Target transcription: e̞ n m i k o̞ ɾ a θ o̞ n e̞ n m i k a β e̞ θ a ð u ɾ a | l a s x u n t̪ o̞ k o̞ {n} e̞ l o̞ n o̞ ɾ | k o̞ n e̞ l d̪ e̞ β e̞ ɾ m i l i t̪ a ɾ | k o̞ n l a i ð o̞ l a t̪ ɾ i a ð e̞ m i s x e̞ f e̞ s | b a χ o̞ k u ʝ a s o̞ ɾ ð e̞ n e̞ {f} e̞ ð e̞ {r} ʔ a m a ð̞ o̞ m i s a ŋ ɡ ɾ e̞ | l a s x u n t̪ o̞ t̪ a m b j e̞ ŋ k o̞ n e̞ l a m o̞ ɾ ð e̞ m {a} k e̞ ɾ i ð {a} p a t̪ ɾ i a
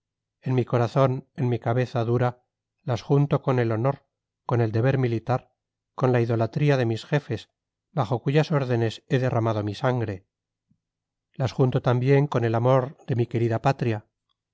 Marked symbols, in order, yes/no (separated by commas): yes, no, yes, no, yes